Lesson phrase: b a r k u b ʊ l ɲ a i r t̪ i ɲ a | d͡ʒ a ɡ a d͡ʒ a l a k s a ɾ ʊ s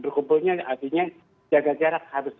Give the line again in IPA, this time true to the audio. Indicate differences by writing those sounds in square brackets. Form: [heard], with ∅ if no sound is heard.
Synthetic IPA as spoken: b [ə] r k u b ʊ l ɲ a [a] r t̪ i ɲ a | d͡ʒ a ɡ a d͡ʒ a [ɾ] a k [h] a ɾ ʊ s